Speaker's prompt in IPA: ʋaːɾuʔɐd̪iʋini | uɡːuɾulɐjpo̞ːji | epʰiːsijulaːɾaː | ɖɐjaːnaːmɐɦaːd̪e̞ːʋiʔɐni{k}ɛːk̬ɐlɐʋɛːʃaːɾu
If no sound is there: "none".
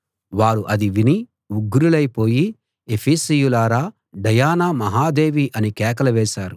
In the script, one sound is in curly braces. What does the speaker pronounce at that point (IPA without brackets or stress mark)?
k